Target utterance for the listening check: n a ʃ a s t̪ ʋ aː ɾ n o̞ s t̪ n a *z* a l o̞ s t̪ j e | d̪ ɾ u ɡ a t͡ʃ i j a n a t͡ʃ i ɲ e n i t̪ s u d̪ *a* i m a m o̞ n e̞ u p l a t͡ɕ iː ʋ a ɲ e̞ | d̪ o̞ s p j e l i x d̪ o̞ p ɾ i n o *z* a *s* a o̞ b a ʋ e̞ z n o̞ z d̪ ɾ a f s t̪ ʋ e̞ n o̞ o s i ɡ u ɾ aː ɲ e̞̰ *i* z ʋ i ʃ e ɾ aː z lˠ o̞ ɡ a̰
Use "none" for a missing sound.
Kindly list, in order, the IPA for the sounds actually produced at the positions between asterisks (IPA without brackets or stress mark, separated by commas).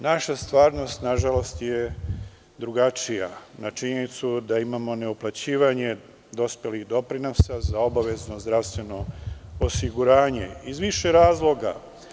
ʒ, a, s, z, i